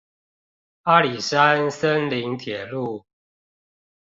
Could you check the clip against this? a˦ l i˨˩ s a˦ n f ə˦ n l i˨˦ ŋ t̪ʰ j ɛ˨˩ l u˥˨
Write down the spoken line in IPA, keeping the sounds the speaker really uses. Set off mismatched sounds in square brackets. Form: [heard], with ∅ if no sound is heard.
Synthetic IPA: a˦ l i˨˩ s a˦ n [s] ə˦ n l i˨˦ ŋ t̪ʰ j ɛ˨˩ l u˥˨

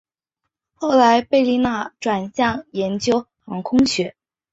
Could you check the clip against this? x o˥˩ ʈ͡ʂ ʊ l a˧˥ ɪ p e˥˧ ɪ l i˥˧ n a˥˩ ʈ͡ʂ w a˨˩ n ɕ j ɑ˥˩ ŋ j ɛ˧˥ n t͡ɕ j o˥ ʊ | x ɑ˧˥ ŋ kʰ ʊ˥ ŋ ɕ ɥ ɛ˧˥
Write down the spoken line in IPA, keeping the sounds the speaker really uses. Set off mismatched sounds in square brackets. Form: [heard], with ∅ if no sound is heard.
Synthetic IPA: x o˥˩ [∅] ʊ l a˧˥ ɪ p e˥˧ ɪ l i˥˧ n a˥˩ ʈ͡ʂ w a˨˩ n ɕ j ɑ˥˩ ŋ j ɛ˧˥ n t͡ɕ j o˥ ʊ | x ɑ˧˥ ŋ kʰ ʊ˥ ŋ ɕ ɥ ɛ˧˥

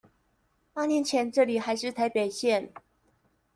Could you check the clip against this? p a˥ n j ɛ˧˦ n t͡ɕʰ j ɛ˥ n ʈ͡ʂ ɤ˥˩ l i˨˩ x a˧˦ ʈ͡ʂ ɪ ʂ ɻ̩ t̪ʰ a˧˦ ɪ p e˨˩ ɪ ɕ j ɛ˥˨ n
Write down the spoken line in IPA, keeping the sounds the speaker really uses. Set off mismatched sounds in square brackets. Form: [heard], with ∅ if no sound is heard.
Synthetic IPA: p a˥ n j ɛ˧˦ n t͡ɕʰ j [ɛ˧˦] n ʈ͡ʂ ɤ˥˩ l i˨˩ x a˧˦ [∅] ɪ ʂ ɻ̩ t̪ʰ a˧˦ ɪ p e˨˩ ɪ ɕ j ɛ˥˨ n

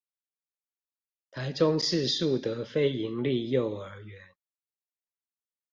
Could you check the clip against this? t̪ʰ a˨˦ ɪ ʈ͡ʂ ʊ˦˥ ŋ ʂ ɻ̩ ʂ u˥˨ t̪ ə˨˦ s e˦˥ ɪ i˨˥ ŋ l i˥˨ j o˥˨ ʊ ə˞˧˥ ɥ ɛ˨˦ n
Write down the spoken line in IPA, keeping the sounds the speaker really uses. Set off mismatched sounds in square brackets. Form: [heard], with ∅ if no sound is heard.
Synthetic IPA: t̪ʰ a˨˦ ɪ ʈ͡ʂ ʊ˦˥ ŋ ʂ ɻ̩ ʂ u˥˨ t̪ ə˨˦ [f] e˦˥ ɪ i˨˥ ŋ l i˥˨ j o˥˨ ʊ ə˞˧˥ ɥ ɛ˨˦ n

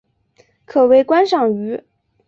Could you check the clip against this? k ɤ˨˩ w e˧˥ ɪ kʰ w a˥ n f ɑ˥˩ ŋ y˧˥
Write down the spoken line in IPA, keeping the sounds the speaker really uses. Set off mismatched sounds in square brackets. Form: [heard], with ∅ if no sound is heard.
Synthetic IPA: [kʰ] ɤ˨˩ w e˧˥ ɪ [k] w a˥ n [ʂ] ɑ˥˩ ŋ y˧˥

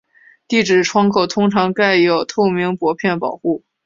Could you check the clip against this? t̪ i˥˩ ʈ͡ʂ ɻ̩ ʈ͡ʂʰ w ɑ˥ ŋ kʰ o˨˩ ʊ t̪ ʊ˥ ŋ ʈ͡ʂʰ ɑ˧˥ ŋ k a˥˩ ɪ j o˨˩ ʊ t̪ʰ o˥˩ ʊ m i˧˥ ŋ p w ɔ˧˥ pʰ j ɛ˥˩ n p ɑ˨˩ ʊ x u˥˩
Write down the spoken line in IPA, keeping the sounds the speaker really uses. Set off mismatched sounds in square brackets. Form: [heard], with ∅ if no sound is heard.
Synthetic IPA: t̪ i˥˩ ʈ͡ʂ ɻ̩ ʈ͡ʂʰ w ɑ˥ ŋ kʰ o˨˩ ʊ [t̪ʰ] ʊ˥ ŋ ʈ͡ʂʰ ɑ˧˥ ŋ k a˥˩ ɪ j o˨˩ ʊ t̪ʰ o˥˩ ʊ m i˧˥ ŋ p w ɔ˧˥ pʰ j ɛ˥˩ n p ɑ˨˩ ʊ x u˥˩

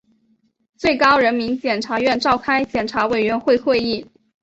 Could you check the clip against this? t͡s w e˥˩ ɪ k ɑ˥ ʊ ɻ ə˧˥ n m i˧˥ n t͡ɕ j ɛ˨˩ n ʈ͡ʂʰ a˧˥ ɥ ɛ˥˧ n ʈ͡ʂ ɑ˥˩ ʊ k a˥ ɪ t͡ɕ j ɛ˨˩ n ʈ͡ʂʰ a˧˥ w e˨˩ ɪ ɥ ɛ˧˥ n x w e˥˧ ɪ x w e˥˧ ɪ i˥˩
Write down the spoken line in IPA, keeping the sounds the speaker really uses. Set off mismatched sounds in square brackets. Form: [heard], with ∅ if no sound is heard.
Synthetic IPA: t͡s w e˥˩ ɪ k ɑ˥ ʊ ɻ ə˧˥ n m i˧˥ n t͡ɕ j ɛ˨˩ n ʈ͡ʂʰ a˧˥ ɥ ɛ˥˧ n ʈ͡ʂ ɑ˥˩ ʊ [kʰ] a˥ ɪ t͡ɕ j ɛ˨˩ n ʈ͡ʂʰ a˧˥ w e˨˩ ɪ ɥ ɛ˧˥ n x w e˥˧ ɪ x w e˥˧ ɪ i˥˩

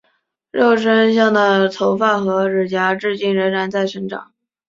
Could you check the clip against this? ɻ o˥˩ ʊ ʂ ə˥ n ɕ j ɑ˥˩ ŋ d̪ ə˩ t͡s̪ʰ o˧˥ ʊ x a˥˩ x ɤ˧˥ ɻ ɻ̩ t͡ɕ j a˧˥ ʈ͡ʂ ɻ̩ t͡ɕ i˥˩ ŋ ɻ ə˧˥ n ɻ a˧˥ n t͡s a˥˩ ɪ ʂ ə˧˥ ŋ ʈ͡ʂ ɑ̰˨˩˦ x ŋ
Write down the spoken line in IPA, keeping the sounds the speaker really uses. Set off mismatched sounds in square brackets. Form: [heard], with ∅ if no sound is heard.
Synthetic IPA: ɻ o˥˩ ʊ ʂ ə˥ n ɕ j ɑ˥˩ ŋ d̪ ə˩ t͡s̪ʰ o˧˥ ʊ [f] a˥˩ x ɤ˧˥ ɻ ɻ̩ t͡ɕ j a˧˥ ʈ͡ʂ ɻ̩ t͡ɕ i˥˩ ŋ ɻ ə˧˥ n ɻ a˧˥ n t͡s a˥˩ ɪ ʂ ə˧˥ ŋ ʈ͡ʂ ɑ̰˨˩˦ [∅] ŋ

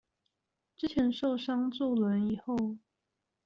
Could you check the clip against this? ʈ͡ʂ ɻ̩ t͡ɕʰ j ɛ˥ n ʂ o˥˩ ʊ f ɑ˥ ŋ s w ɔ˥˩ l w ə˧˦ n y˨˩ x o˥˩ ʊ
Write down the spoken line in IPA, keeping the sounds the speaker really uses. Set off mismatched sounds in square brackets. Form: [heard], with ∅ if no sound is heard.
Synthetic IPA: ʈ͡ʂ ɻ̩ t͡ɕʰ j [ɛ˧˥] n ʂ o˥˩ ʊ [ʂ] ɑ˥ ŋ [t͡s] w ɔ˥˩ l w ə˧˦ n [i˨˩] x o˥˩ ʊ

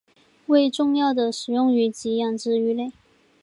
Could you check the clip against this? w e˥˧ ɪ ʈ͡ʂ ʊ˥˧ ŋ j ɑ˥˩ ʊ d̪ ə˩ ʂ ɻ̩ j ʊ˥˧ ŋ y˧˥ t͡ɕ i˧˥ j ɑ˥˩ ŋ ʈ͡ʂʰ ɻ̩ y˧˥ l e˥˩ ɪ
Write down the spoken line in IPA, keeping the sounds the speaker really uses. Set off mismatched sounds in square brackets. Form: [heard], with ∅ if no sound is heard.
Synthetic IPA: w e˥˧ ɪ ʈ͡ʂ ʊ˥˧ ŋ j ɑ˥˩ ʊ d̪ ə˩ ʂ ɻ̩ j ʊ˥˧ ŋ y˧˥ t͡ɕ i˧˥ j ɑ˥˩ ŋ [ʈ͡ʂ] ɻ̩ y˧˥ l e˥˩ ɪ

